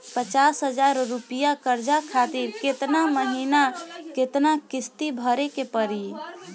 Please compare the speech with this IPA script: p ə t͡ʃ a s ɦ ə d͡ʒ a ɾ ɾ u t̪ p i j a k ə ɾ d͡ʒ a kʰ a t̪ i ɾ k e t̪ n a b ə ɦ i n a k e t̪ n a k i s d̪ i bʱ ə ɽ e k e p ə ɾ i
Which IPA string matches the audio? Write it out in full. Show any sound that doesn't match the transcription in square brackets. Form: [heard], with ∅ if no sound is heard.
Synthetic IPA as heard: p ə t͡ʃ a s ɦ ə d͡ʒ a ɾ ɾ u [∅] p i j a k ə ɾ d͡ʒ a kʰ a t̪ i ɾ k e t̪ n a [m] ə ɦ i n a k e t̪ n a k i s [t̪] i bʱ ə [ɾ] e k e p ə ɾ i